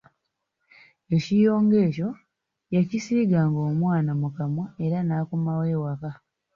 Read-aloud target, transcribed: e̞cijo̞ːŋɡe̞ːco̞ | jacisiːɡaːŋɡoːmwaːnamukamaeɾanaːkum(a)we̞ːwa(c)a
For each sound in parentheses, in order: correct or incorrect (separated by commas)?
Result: correct, incorrect